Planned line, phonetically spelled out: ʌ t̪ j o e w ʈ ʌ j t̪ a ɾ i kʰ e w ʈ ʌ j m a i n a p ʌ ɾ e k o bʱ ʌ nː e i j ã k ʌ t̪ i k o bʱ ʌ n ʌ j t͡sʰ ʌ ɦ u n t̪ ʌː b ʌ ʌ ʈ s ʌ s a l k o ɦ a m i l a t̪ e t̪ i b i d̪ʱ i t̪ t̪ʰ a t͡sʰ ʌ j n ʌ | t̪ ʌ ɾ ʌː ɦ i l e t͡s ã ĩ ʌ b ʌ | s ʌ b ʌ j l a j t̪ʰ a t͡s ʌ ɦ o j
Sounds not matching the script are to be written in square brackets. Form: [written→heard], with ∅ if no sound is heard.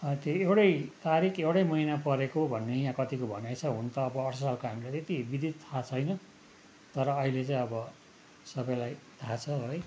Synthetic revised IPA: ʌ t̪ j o e w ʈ ʌ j t̪ a ɾ i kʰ e w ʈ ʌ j m [a→ʌ] i n a p ʌ ɾ e k o bʱ ʌ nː e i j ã k ʌ t̪ i k o bʱ ʌ n [ʌ→a] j t͡sʰ ʌ ɦ u n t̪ ʌː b ʌ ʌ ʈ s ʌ s a l k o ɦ a m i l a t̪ e t̪ i b i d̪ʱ i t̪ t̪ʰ a t͡sʰ ʌ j n ʌ | t̪ ʌ ɾ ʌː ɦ i l e t͡s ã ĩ ʌ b ʌ | s ʌ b ʌ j l a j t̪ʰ a [t͡s→t͡sʰ] ʌ ɦ o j